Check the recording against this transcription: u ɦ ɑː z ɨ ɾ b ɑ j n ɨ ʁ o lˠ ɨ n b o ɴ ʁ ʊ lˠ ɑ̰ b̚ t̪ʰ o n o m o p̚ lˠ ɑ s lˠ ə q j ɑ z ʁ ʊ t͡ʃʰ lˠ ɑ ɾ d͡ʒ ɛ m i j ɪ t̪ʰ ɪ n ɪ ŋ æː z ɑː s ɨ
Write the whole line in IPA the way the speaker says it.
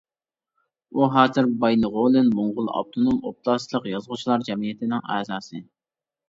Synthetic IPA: u ɦ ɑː z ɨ ɾ b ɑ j n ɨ ʁ o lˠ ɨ n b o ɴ ʁ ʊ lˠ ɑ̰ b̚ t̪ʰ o n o m o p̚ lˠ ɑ s lˠ ə q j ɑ z ʁ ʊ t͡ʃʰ lˠ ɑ ɾ d͡ʒ ɛ m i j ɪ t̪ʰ ɪ n ɪ ŋ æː z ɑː s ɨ